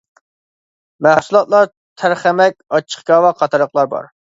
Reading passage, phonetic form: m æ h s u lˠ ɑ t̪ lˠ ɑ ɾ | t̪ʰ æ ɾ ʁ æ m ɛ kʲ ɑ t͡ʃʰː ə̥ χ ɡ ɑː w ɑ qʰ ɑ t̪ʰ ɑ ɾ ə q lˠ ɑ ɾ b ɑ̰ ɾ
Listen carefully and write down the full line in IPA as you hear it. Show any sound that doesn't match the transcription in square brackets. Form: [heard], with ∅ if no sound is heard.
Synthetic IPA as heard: m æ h s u lˠ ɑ t̪ lˠ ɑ ɾ | t̪ʰ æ ɾ [χ] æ m ɛ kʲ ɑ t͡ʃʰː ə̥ χ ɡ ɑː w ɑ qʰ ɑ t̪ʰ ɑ ɾ ə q lˠ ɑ ɾ b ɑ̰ ɾ